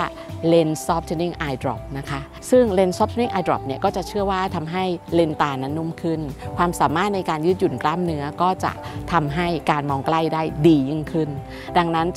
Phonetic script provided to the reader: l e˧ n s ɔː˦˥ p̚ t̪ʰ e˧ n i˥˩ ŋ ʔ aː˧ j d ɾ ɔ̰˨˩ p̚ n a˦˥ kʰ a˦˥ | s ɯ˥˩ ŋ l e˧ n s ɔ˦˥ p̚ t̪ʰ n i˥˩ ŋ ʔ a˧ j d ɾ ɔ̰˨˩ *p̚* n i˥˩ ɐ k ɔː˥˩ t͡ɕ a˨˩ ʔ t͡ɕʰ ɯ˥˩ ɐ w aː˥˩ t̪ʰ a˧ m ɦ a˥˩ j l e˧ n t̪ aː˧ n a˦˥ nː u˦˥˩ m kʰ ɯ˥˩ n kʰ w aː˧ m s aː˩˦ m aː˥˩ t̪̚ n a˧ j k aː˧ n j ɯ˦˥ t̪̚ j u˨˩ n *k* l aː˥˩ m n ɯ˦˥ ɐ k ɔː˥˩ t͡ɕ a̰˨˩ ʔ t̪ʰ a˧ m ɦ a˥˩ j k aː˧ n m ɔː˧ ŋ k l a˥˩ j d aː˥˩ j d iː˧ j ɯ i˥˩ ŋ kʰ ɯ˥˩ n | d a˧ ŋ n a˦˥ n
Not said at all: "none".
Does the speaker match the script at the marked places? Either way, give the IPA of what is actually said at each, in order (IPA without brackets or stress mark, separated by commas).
p̚, k